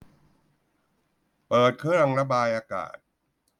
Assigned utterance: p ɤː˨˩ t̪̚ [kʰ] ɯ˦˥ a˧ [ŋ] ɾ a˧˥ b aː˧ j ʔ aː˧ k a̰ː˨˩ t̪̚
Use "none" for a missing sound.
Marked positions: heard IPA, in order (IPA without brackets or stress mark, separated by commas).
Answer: kʰ, ŋ